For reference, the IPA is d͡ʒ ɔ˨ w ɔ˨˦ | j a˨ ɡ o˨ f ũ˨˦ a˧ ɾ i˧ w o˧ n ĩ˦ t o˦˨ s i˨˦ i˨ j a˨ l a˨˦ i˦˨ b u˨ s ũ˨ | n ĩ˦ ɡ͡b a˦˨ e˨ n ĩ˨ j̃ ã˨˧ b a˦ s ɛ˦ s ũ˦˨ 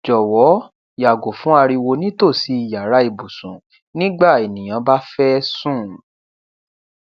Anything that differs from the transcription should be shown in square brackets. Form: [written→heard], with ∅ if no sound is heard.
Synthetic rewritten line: d͡ʒ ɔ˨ w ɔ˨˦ | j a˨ ɡ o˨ f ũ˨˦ a˧ ɾ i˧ w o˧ n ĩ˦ t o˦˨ s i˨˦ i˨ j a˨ [l→ɾ] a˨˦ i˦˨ b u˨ s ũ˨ | n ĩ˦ ɡ͡b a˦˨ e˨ n ĩ˨ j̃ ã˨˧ b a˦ [s→f] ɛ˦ s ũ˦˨